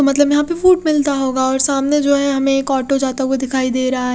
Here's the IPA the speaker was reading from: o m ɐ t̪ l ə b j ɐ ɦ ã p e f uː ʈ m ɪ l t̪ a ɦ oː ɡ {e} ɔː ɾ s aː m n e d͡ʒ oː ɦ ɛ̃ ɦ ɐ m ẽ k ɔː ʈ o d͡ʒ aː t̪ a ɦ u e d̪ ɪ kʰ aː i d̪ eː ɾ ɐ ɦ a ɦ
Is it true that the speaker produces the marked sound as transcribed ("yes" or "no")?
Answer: no